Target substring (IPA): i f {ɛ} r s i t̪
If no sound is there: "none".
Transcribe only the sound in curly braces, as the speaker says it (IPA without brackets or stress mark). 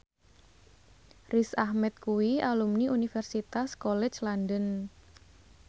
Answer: ɛ